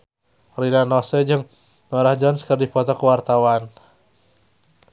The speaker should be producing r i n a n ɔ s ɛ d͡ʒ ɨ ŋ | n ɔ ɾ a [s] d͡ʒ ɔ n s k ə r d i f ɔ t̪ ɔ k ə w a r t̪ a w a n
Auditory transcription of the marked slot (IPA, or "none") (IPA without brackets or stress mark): h